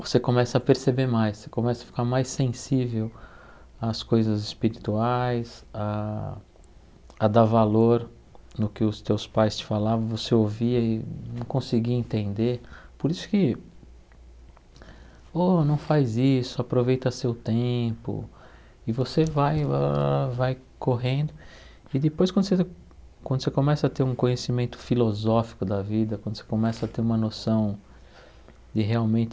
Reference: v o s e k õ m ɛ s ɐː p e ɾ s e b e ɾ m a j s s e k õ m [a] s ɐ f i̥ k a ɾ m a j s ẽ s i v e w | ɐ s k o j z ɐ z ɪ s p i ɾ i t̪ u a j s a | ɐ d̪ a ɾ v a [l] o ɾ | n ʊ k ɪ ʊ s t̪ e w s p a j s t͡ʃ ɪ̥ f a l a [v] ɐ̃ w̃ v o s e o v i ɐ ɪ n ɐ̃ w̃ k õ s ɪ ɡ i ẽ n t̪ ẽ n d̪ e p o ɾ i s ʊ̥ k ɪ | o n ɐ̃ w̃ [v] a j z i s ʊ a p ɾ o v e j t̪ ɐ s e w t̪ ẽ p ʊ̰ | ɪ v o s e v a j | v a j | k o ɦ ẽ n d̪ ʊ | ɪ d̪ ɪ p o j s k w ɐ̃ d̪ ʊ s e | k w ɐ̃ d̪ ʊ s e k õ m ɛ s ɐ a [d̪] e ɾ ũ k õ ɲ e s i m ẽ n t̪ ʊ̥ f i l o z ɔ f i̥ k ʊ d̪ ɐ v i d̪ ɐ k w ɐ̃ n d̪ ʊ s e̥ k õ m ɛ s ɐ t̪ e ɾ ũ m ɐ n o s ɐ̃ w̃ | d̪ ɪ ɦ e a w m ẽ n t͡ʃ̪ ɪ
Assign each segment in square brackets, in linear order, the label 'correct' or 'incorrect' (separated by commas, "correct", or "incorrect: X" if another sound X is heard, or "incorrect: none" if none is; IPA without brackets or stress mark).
incorrect: ɛ, correct, correct, incorrect: f, incorrect: t̪